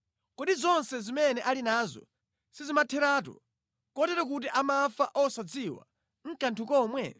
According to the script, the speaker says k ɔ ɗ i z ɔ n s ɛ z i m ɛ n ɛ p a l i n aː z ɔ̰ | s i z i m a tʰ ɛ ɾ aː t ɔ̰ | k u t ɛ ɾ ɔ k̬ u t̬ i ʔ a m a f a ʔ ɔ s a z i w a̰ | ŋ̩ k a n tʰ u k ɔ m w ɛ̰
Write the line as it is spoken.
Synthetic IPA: k ɔ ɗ i z ɔ n s ɛ z i m ɛ n ɛ ʔ a l i n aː z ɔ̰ | s i z i m a tʰ ɛ ɾ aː t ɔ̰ | k ɔ t ɛ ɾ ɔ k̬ u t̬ i ʔ a m a f a ʔ ɔ s a d͡z i w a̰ | ŋ̩ k a n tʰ u k ɔ m w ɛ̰

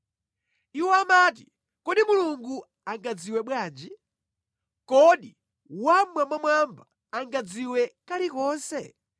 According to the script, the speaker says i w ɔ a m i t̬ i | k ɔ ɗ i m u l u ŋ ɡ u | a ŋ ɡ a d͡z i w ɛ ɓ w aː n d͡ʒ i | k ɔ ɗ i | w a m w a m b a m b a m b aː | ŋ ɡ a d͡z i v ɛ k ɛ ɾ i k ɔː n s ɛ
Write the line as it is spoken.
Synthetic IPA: i w ɔ a m a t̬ i | k ɔ ɗ i m u l u ŋ ɡ u | a ŋ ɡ a d͡z i w ɛ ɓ w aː n d͡ʒ i | k ɔ ɗ i | w a m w a m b a m w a m b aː | ŋ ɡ a d͡z i w ɛ k a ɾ i k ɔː n s ɛ

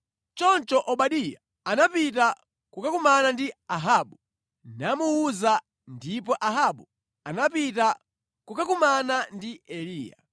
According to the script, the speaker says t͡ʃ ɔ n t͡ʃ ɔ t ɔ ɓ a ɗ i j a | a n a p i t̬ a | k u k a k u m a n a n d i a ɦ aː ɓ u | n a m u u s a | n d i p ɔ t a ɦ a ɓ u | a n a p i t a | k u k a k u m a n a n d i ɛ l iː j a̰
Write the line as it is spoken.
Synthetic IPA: t͡ʃ ɔ n t͡ʃ ɔ ʔ ɔ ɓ a ɗ i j a | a n a p i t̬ a | k u k a k u m a n a n d i a ɦ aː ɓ u | n a m u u z a | n d i p ɔ ʔ a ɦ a ɓ u | a n a p i t a | k u k a k u m a n a n d i ɛ l iː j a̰

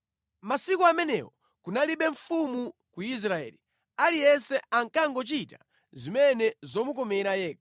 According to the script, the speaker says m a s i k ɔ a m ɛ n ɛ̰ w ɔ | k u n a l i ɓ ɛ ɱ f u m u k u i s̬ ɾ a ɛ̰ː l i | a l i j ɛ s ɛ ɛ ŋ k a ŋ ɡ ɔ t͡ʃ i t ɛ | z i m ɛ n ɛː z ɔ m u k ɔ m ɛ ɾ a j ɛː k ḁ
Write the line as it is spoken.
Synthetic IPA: m a s i k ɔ a m ɛ n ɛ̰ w ɔ | k u n a l i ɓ ɛ ɱ f u m u k u i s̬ ɾ a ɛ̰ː l i | a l i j ɛ s ɛ a ŋ k a ŋ ɡ ɔ t͡ʃ i t a | z i m ɛ n ɛ z ɔ m u k ɔ m ɛ ɾ a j ɛː k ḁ

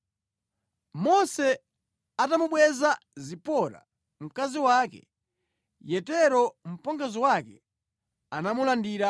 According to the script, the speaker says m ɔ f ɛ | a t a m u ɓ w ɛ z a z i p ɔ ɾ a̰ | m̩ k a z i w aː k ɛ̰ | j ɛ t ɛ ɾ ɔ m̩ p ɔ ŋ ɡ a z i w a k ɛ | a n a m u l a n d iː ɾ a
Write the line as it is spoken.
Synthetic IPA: m ɔ s ɛ | a t a m u ɓ w ɛ z a z i p ɔ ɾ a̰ | m̩ k a z i w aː k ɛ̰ | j ɛ t ɛ ɾ ɔ m̩ p ɔ ŋ ɡ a z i w a k ɛ | a n a m u l a n d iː ɾ a

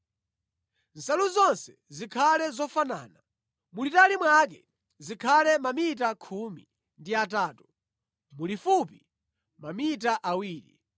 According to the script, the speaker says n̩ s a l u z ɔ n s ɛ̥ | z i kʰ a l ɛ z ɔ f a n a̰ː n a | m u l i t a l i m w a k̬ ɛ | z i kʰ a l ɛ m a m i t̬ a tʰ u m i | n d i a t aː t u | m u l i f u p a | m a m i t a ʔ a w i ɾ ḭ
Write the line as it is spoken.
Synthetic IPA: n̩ s a l u z ɔ n s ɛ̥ | z i kʰ a l ɛ z ɔ f a n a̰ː n a | m u l i t a l i m w a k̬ ɛ | z i kʰ a l ɛ m a m i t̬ a kʰ u m i | n d i a t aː t u | m u l i f u p i | m a m i t a ʔ a w iː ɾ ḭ

